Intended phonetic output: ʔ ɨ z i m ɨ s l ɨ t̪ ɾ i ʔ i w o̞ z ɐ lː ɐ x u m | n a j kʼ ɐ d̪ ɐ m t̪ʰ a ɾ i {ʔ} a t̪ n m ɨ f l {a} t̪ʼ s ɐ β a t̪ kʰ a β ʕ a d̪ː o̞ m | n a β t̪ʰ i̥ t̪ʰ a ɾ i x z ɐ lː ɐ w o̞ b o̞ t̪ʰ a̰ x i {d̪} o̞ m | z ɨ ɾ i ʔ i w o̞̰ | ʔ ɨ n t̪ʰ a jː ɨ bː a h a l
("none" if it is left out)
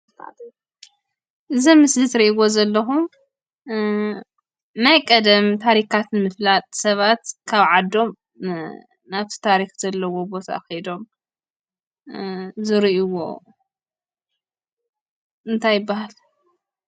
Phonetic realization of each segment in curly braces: k, a, d̪

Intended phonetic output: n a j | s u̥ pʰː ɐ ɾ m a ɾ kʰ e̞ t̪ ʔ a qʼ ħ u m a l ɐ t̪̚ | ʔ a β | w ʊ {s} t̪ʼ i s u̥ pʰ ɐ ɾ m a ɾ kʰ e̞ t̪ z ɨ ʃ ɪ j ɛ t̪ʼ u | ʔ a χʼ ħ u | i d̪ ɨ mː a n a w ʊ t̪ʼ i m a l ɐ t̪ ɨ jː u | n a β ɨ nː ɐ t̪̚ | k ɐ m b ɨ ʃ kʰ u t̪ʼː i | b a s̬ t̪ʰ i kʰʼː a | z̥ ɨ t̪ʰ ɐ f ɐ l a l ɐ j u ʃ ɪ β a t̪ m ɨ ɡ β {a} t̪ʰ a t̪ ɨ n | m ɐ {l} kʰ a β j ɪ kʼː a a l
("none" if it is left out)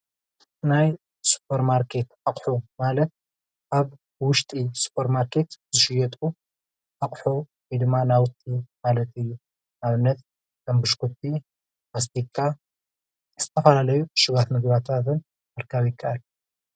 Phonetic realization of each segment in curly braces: ʃ, a, ɾ

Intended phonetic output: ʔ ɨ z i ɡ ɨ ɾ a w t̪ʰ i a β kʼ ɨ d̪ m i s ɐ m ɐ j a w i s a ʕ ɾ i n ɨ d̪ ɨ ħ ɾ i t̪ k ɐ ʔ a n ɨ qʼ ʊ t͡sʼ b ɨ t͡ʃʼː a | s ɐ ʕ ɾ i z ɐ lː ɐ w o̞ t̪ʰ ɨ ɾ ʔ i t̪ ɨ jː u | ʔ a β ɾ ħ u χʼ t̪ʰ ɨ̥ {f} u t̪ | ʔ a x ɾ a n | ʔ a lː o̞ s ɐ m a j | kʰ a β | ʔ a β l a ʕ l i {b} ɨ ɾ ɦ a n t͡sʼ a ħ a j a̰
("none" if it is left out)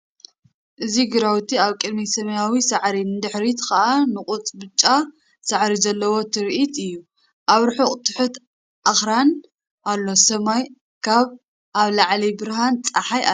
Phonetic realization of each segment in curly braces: ħ, b

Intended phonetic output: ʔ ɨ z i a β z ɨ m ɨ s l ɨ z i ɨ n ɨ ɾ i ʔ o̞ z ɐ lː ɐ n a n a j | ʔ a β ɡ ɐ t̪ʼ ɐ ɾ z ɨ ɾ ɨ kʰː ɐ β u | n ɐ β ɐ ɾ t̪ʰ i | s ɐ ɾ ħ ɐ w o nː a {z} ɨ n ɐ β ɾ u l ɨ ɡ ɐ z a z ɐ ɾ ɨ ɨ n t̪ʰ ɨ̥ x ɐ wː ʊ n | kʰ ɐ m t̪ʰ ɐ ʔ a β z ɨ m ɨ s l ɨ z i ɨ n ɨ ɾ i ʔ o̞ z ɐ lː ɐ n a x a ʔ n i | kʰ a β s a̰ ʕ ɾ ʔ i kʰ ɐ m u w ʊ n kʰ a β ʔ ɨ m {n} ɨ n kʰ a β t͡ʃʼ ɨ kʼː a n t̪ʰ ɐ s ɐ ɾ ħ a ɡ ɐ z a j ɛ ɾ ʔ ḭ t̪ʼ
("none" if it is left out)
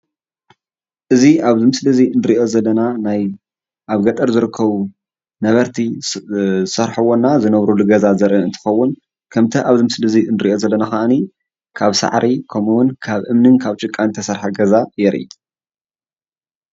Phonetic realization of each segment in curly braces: z, n

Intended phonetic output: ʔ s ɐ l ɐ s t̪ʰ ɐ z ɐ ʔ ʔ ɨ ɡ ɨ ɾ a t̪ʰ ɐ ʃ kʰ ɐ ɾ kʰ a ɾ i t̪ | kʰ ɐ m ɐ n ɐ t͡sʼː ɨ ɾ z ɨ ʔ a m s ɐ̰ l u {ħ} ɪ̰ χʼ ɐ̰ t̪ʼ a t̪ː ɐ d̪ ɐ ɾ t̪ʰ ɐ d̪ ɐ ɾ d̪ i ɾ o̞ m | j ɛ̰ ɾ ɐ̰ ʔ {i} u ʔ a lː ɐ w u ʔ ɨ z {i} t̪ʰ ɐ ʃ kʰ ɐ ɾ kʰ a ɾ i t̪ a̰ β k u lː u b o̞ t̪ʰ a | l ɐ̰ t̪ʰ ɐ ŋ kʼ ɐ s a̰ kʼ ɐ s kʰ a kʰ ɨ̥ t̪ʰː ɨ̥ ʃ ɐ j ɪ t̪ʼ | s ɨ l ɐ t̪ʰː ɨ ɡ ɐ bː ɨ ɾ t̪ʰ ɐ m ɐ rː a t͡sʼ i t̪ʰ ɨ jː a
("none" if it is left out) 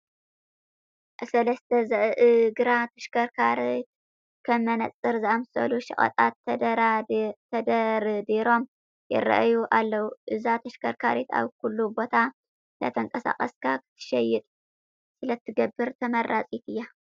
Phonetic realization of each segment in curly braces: ʃ, j, a

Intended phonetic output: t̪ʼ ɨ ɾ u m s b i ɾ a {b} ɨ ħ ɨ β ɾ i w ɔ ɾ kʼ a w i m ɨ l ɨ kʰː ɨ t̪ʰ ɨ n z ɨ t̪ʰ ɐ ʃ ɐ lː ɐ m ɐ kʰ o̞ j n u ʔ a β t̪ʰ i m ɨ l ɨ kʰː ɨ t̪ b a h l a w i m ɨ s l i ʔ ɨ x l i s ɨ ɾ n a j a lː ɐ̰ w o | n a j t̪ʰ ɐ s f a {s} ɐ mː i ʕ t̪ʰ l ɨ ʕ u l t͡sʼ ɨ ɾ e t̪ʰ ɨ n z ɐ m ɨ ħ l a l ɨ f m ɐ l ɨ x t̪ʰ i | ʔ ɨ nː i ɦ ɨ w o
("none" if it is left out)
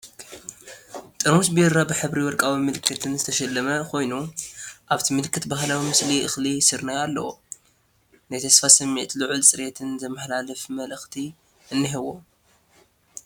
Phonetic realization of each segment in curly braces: b, s

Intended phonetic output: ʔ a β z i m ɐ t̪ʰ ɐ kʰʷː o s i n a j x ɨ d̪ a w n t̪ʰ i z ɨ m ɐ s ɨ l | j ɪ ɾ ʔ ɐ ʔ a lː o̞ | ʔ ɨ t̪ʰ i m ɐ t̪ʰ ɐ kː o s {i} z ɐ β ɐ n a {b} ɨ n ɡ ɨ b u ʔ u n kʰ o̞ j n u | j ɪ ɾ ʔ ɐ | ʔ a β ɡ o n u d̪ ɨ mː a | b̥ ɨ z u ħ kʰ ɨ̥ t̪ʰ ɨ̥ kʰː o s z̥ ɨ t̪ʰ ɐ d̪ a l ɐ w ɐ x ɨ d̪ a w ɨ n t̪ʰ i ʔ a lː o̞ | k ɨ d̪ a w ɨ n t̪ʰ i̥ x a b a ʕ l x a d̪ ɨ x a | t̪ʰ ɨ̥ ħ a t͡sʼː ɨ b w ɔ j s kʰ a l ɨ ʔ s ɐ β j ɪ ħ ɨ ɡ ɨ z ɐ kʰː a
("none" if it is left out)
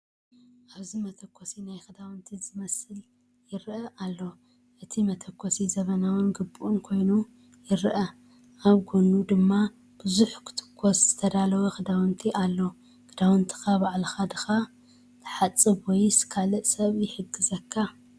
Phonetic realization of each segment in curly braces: i, w

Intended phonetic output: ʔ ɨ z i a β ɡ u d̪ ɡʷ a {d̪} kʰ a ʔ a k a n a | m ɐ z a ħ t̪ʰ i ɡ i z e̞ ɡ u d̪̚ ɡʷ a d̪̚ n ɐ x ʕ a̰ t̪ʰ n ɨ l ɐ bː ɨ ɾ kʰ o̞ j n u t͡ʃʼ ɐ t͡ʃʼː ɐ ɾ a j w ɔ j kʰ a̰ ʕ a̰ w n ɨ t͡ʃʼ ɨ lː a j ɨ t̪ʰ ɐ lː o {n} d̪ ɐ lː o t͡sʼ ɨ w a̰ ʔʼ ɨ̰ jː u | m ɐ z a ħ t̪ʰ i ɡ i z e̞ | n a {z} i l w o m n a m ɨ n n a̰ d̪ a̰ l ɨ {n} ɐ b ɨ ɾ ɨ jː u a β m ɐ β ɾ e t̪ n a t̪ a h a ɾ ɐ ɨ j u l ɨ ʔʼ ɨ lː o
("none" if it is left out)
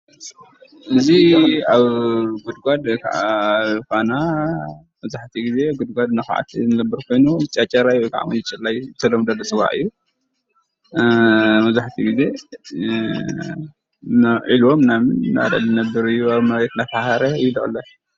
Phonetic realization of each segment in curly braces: d̪, m, ʕ, n

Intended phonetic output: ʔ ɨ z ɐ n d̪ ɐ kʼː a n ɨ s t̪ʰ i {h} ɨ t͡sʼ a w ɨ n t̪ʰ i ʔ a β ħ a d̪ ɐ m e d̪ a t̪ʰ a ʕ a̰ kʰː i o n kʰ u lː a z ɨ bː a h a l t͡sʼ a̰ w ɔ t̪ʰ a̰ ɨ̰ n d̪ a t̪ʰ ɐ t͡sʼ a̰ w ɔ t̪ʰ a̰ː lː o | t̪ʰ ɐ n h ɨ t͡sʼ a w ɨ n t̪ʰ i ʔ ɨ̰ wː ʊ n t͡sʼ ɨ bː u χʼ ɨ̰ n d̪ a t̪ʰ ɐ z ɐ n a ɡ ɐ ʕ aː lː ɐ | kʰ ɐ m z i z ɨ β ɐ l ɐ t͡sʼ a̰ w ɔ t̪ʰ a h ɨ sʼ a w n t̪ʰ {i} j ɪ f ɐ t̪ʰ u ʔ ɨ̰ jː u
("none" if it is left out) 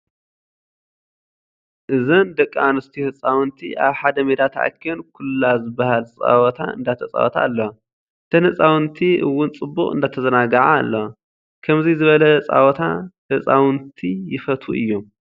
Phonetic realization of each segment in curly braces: h, i

